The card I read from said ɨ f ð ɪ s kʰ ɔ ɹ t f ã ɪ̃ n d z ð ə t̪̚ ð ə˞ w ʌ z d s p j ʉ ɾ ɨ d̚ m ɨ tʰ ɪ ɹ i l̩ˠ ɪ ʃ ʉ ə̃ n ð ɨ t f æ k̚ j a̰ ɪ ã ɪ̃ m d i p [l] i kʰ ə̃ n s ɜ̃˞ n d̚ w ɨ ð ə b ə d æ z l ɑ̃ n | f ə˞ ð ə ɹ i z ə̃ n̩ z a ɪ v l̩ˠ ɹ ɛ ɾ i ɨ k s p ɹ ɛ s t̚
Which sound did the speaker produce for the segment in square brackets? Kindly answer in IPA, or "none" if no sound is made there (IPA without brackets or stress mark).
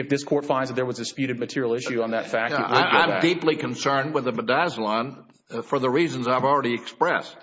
l